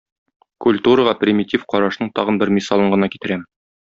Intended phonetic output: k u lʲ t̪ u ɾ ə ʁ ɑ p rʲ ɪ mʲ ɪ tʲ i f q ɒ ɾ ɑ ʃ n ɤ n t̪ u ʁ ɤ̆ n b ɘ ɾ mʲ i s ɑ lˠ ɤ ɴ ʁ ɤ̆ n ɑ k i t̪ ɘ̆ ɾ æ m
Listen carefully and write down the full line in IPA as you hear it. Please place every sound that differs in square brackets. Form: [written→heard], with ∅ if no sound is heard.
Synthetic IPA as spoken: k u lʲ t̪ u ɾ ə ʁ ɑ p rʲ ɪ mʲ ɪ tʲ i f q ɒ ɾ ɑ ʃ n ɤ [n→ɴ] t̪ [u→ɒ] ʁ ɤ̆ n b ɘ ɾ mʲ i s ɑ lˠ ɤ ɴ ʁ ɤ̆ n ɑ k i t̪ ɘ̆ ɾ æ m